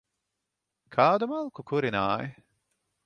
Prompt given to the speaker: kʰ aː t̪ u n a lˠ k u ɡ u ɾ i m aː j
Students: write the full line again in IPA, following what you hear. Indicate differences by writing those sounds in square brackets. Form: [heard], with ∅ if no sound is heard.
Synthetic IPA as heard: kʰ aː [d̪] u [m] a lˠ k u [k] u ɾ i [n] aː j